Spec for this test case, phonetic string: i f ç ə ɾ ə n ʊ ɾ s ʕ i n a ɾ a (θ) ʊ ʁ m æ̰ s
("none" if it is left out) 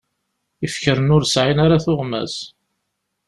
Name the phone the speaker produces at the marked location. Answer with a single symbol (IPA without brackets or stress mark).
θ